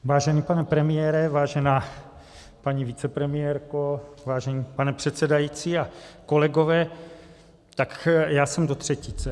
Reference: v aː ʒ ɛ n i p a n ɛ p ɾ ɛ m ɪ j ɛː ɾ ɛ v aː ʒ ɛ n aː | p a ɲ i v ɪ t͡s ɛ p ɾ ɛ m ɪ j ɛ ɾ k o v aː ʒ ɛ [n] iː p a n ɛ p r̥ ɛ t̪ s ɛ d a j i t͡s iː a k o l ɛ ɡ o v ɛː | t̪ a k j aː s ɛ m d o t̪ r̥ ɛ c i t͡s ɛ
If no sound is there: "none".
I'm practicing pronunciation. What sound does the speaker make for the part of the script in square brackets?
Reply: ɲ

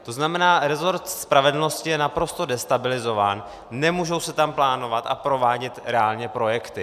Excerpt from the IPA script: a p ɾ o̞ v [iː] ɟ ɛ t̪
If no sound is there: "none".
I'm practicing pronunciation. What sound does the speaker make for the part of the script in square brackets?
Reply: aː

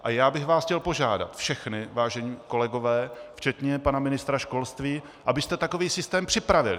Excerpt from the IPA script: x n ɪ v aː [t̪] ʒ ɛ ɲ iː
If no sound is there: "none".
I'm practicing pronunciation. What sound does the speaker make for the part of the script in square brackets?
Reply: none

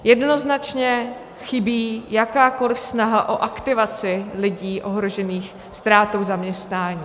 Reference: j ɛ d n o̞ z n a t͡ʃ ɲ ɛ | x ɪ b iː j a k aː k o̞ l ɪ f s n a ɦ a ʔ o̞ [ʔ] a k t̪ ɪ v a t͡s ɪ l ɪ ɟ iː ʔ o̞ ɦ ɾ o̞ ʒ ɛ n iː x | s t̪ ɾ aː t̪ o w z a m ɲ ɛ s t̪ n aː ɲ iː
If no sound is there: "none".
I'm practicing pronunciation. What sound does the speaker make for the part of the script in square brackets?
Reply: ʔ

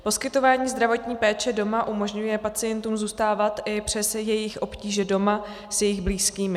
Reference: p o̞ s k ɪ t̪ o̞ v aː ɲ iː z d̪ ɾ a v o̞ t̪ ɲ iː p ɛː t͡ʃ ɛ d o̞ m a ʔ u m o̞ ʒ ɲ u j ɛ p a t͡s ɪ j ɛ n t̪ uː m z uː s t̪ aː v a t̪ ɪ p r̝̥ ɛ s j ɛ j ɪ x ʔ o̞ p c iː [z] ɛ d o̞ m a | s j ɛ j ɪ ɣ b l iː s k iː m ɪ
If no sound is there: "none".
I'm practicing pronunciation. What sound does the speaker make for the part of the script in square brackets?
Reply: ʒ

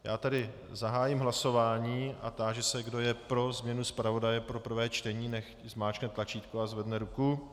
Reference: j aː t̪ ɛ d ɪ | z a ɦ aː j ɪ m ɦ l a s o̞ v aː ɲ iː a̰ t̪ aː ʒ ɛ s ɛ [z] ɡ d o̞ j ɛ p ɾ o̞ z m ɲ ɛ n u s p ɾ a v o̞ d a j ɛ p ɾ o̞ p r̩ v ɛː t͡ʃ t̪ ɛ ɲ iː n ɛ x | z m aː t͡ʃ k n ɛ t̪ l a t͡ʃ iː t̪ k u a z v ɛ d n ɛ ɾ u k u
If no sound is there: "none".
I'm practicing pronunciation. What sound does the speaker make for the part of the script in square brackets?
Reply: none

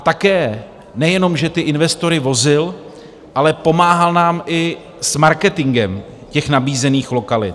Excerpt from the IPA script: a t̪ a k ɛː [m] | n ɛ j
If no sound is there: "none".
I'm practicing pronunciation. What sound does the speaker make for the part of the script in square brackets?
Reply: none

